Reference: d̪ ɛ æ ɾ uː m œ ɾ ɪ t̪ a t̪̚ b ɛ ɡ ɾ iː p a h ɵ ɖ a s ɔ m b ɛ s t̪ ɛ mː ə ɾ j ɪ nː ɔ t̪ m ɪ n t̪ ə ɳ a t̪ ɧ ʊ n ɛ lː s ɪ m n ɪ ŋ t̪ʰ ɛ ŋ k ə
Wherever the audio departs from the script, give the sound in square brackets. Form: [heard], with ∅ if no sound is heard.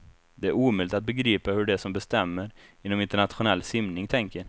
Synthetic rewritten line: d̪ ɛ æ ɾ uː m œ [l] ɪ t̪ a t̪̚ b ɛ ɡ ɾ iː p a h ɵ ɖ [ɛ] s ɔ m b ɛ s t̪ ɛ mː ə ɾ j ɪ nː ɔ [∅] m ɪ n t̪ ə ɳ a t̪ ɧ ʊ n ɛ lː s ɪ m n ɪ ŋ t̪ʰ ɛ ŋ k ə